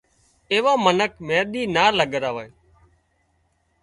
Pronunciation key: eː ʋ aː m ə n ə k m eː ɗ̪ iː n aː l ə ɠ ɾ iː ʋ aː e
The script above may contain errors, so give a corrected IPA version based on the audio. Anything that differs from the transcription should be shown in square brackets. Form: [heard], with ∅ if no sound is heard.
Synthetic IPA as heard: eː ʋ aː m ə n ə k m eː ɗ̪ iː n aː l ə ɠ ɾ [aː] ʋ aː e